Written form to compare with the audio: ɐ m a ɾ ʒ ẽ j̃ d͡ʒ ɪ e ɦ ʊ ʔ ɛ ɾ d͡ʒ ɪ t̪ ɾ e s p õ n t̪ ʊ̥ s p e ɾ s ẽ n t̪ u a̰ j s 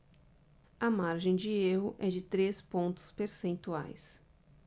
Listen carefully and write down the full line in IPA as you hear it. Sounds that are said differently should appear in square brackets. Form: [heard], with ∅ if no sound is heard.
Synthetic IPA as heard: ɐ m a ɾ ʒ ẽ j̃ d͡ʒ ɪ e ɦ ʊ ʔ ɛ [∅] d͡ʒ ɪ t̪ ɾ e s p õ n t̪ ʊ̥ s p e ɾ s ẽ n t̪ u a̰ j s